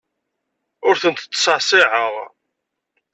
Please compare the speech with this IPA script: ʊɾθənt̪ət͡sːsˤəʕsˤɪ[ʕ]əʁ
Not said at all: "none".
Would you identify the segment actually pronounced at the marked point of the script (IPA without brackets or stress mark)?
ʕ